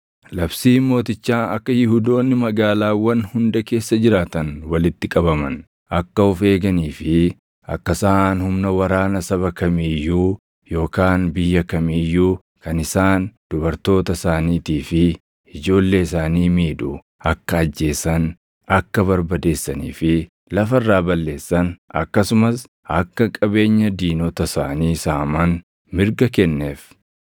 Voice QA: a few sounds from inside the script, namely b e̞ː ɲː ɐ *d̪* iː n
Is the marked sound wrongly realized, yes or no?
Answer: no